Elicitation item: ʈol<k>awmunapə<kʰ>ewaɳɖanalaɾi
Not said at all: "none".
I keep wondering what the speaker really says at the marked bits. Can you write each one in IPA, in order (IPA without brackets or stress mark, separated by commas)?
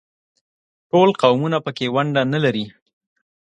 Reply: q, k